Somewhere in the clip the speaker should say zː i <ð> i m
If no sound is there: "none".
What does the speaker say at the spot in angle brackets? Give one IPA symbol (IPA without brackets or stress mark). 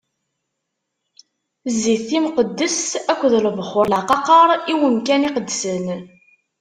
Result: θ